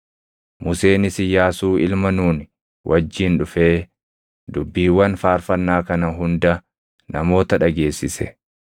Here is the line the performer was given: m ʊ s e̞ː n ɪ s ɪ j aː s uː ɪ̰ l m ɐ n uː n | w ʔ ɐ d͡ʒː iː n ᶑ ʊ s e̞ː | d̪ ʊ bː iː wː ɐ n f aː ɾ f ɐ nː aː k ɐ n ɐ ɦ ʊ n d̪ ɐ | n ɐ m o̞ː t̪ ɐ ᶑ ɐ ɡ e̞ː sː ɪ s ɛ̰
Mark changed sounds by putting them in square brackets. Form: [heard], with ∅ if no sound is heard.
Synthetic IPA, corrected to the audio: m ʊ s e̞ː n ɪ s ɪ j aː s uː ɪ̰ l m ɐ n uː n | w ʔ ɐ d͡ʒː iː n ᶑ ʊ [f] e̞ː | d̪ ʊ bː iː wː ɐ n f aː ɾ f ɐ nː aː k ɐ n ɐ ɦ ʊ n d̪ ɐ | n ɐ m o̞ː t̪ ɐ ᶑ ɐ ɡ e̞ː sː ɪ s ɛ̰